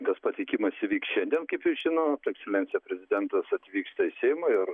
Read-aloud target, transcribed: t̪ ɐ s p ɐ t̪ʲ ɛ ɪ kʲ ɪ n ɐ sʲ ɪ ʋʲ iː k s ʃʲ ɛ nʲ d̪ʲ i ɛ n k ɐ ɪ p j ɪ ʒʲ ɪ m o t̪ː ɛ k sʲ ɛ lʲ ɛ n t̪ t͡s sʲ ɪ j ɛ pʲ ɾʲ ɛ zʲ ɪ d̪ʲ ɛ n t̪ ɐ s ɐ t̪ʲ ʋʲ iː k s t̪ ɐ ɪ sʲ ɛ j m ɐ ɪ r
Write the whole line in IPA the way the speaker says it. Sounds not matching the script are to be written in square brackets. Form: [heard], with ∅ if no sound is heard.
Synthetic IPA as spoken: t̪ ɐ s p ɐ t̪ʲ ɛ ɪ kʲ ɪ [m] ɐ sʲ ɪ ʋʲ iː k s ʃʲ ɛ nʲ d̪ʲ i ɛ n k ɐ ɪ p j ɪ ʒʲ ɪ [n] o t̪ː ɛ k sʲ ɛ lʲ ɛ n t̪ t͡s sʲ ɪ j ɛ pʲ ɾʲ ɛ zʲ ɪ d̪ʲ ɛ n t̪ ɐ s ɐ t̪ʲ ʋʲ iː k s t̪ ɐ ɪ sʲ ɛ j m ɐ ɪ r